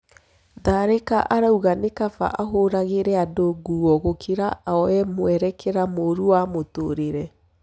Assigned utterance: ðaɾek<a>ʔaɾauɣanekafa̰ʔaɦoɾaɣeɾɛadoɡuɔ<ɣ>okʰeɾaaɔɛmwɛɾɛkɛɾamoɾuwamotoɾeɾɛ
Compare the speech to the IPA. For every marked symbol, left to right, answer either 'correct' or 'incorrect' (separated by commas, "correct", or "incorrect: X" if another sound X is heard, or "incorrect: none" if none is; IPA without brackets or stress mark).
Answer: correct, correct